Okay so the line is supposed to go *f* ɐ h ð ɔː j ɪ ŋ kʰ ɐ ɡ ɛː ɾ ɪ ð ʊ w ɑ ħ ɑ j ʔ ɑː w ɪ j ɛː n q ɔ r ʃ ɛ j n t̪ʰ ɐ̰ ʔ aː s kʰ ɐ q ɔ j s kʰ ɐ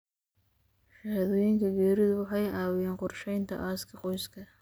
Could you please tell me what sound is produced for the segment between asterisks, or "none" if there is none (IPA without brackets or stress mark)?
ʃ